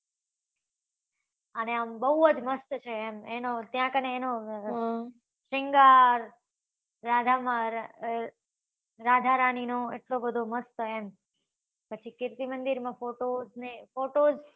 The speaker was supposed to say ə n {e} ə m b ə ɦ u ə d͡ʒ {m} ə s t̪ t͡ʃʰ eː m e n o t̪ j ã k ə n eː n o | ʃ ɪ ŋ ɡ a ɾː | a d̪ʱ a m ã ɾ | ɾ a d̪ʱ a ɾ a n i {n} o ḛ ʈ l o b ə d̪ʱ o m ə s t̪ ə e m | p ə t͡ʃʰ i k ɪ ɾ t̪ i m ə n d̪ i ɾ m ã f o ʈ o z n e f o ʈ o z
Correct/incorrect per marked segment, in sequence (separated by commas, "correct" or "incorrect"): correct, correct, correct